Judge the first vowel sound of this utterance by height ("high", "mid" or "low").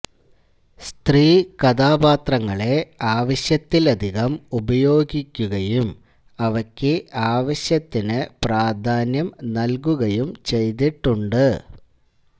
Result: high